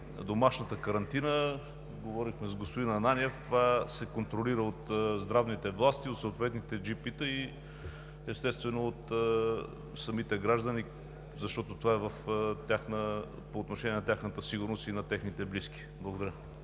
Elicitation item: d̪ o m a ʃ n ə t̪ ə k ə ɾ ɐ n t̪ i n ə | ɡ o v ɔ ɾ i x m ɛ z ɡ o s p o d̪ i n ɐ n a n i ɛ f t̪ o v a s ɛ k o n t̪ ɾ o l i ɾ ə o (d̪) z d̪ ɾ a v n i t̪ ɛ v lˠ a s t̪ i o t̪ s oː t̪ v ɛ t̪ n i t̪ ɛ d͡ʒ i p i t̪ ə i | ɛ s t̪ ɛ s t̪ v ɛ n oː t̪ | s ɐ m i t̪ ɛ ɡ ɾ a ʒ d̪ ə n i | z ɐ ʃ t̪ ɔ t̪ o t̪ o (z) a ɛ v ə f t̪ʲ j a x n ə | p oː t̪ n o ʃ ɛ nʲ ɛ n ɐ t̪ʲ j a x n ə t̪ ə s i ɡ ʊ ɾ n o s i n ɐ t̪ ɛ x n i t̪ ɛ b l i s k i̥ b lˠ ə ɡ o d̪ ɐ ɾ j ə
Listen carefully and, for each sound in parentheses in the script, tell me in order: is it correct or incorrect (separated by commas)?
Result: incorrect, incorrect